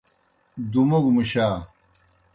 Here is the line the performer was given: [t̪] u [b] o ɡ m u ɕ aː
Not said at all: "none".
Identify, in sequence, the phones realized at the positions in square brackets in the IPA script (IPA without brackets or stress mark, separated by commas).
d̪, m